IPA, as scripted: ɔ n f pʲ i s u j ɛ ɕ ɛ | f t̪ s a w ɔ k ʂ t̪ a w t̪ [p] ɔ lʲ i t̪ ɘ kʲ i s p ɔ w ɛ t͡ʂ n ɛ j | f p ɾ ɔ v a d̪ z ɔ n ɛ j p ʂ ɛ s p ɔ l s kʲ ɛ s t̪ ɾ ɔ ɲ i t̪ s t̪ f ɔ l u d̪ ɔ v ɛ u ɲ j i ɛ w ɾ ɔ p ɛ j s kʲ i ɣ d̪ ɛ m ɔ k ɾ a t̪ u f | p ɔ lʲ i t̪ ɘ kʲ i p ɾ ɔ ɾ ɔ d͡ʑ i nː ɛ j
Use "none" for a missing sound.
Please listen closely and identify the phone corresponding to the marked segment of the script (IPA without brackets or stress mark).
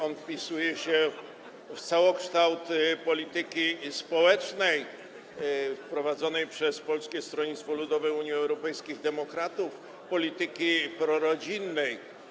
p